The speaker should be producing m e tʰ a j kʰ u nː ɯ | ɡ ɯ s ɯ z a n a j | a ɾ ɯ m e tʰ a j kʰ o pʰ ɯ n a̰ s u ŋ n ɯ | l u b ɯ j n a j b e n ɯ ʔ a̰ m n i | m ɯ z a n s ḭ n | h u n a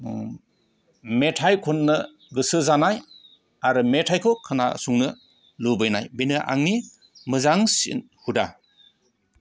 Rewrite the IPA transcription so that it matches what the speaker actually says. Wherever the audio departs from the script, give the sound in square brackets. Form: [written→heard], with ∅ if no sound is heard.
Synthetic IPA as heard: m e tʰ a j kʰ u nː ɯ | ɡ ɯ s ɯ z a n a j | a ɾ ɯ m e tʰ a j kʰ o [pʰ→kʰ] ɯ n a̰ s u ŋ n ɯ | l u b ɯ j n a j b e n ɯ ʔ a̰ [m→ŋ] n i | m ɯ z a [n→ŋ] s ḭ n | h u [n→d] a